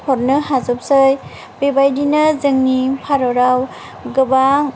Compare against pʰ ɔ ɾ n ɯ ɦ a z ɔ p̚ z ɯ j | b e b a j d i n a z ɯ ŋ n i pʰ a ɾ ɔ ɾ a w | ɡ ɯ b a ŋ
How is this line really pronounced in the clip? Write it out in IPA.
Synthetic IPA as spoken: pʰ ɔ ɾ n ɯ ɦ a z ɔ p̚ s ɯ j | b e b a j d i n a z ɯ ŋ n i pʰ a ɾ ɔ ɾ a w | ɡ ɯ b a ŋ